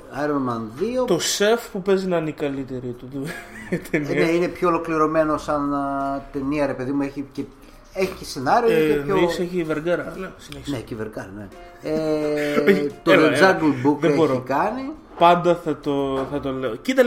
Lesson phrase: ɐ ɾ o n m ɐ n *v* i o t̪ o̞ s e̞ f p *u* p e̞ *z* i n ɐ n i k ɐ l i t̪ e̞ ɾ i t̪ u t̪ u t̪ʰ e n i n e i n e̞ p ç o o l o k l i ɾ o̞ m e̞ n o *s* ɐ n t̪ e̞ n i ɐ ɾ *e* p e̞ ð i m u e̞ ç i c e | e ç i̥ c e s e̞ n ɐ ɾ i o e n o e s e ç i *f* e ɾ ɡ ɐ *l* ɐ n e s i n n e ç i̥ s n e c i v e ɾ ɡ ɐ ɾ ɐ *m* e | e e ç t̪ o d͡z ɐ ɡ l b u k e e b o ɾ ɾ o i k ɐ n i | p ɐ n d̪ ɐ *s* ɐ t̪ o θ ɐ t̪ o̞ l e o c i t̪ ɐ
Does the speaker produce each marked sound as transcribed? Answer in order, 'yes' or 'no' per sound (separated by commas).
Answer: no, yes, yes, yes, yes, no, no, no, no